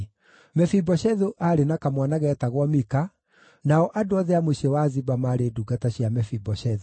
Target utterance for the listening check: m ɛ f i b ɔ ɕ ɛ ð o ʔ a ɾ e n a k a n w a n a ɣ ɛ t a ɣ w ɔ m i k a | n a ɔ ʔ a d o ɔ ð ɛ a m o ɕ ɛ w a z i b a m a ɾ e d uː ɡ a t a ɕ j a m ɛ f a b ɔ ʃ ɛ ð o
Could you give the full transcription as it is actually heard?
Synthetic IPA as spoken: m ɛ f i b ɔ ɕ ɛ ð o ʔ a ɾ e n a k a m w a n a ɣ ɛ t a ɣ w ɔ m i k a | n a ɔ ʔ a d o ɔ ð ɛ a m o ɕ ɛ w a z i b a m a ɾ e d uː ɡ a t a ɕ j a m ɛ f i b ɔ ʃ ɛ ð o